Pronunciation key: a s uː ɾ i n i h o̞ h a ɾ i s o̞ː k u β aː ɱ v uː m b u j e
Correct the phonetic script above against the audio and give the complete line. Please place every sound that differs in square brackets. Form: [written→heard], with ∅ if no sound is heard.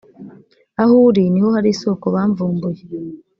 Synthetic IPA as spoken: a [s→h] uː ɾ i n i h o̞ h a ɾ i s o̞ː k [u→o] β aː ɱ v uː m b u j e